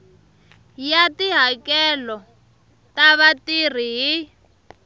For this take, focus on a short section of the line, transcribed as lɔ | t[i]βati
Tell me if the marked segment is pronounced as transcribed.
no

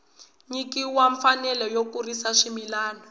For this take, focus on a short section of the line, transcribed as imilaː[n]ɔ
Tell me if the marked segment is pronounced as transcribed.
yes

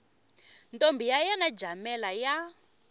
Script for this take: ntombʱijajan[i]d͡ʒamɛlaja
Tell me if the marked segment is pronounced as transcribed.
no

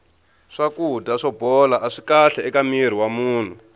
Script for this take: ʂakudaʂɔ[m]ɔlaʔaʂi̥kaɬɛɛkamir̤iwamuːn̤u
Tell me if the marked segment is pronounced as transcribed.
no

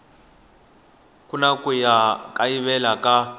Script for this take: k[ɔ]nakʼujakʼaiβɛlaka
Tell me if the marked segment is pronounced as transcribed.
no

